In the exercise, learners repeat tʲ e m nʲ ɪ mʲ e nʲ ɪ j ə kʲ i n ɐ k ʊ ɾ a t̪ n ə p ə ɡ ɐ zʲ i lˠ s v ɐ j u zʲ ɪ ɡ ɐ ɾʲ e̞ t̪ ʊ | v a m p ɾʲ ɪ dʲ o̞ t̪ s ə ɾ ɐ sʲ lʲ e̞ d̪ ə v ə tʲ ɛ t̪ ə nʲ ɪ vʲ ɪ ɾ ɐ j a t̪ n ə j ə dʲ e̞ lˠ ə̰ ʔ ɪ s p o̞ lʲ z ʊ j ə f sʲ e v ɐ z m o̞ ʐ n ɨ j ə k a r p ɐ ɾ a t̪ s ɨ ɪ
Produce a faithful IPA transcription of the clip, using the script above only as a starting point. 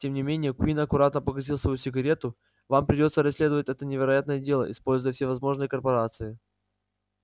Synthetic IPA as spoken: tʲ e m nʲ ɪ mʲ e nʲ ɪ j ə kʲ i n ɐ k ʊ ɾ a t̪ n ə p ə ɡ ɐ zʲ i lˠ s v ɐ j u sʲ ɪ ɡ ɐ ɾʲ e̞ t̪ ʊ | v a m p ɾʲ ɪ dʲ o̞ t̪ s ə ɾ ɐ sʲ lʲ e̞ d̪ ə v ə tʲ ɛ t̪ ə nʲ ɪ vʲ ɪ ɾ ɐ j a t̪ n ə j ə dʲ e̞ lˠ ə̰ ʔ ɪ s p o̞ lʲ z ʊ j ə f sʲ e v ɐ z m o̞ ʐ n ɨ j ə k ə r p ɐ ɾ a t̪ s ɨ ɪ

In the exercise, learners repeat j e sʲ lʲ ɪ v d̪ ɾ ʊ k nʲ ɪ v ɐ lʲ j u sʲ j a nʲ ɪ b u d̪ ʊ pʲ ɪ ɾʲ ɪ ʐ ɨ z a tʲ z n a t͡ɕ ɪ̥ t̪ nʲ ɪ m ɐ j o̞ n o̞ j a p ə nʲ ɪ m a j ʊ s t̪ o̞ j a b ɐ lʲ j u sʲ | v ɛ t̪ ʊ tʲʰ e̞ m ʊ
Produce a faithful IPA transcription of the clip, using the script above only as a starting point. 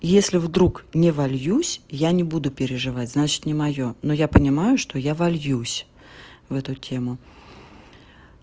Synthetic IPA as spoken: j e sʲ lʲ ɪ v d̪ ɾ u k nʲ ɪ v ɐ lʲ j u sʲ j a nʲ ɪ b u d̪ ʊ pʲ ɪ ɾʲ ɪ ʐ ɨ v a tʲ z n a t͡ɕ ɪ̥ t̪ nʲ ɪ m ɐ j o̞ n o̞ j a p ə nʲ ɪ m a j ʊ ʂ t̪ o̞ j a v ɐ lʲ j u sʲ | v ɛ t̪ ʊ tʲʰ e̞ m ʊ

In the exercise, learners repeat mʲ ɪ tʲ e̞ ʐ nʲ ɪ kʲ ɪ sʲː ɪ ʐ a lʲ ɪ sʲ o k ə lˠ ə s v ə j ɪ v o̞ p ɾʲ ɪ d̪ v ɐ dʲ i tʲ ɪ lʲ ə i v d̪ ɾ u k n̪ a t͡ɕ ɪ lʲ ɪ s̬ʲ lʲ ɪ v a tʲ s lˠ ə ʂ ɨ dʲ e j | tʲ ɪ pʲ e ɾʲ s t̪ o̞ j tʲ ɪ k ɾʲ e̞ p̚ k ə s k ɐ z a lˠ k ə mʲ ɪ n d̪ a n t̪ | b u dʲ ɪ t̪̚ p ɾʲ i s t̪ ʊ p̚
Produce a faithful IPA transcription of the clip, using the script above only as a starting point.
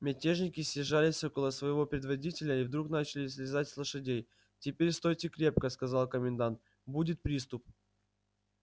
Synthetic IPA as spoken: mʲ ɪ tʲ e̞ ʐ nʲ ɪ kʲ ɪ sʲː ɪ ʐ a lʲ ɪ sʲ o k ə lˠ ə s v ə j ɪ v o̞ p ɾʲ ɪ d̪ v ɐ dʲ i tʲ ɪ lʲ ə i v d̪ ɾ u k n̪ a t͡ɕ ɪ lʲ ɪ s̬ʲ lʲ ɪ z a tʲ s lˠ ə ʂ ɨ dʲ e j | tʲ ɪ pʲ e ɾʲ s t̪ o̞ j tʲ ɪ k ɾʲ e̞ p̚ k ə s k ɐ z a lˠ k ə mʲ ɪ n d̪ a n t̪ | b u dʲ ɪ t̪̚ p ɾʲ i s t̪ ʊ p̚

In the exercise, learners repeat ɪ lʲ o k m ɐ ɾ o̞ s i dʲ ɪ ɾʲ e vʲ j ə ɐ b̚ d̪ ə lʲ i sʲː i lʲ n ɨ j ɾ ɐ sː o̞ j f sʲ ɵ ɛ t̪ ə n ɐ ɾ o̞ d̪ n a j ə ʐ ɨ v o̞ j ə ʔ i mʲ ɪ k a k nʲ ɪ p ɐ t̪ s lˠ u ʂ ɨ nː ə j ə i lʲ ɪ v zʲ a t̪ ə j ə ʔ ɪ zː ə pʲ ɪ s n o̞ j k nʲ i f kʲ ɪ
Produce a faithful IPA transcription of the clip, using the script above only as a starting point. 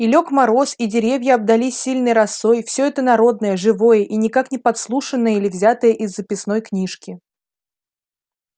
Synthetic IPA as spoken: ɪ lʲ o k m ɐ ɾ o̞ s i dʲ ɪ ɾʲ e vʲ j ə ɐ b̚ d̪ ɐ lʲ i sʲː i lʲ n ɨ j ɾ ɐ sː o̞ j f sʲ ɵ ɛ t̪ ə n ɐ ɾ o̞ d̪ n ə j ə ʐ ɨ v o̞ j ə ʔ i nʲ ɪ k a k nʲ ɪ p ɐ t̪ s lˠ u ʂ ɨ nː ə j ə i lʲ ɪ v zʲ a t̪ ə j ə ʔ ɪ zː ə pʲ ɪ s n o̞ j k nʲ i ʂ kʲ ɪ

